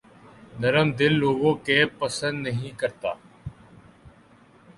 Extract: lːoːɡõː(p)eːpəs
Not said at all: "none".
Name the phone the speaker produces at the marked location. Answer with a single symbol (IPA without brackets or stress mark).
k